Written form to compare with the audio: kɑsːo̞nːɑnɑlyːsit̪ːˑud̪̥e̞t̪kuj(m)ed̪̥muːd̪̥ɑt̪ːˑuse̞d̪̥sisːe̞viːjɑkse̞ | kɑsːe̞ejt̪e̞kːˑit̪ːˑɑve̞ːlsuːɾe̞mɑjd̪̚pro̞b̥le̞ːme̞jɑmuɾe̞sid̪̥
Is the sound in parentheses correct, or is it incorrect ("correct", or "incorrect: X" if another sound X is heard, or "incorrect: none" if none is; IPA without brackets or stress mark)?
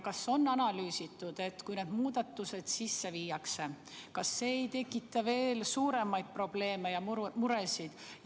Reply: incorrect: n